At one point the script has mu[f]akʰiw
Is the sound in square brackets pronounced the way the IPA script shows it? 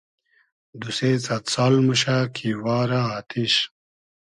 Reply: no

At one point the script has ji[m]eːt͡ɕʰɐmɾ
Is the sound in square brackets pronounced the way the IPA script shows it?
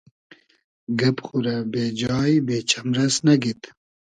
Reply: no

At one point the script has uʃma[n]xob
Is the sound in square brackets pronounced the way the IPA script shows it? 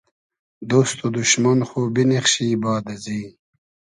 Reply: yes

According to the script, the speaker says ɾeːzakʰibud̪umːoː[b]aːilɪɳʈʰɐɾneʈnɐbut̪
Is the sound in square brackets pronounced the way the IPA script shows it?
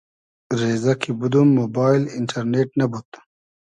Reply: yes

